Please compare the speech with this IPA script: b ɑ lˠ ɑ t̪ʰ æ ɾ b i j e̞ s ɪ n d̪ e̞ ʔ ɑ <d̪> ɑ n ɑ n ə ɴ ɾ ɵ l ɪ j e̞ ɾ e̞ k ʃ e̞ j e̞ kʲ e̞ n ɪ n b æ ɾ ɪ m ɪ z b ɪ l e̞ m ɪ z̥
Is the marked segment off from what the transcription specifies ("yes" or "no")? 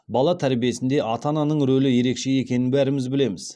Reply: yes